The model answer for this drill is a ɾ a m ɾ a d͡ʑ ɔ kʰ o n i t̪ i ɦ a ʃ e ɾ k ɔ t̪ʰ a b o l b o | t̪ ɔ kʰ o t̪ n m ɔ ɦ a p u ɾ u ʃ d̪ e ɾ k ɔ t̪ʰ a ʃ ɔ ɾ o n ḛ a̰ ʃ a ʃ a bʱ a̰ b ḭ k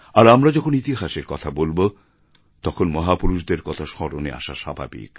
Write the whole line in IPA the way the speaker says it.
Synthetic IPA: a ɾ a m ɾ a d͡ʑ ɔ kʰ o n i t̪ i ɦ a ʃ e ɾ k ɔ t̪ʰ a b o l b o | t̪ ɔ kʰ o n m ɔ ɦ a p u ɾ u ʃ d̪ e ɾ k ɔ t̪ʰ a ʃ ɔ ɾ o n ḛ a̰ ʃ a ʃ a bʱ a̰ b ḭ k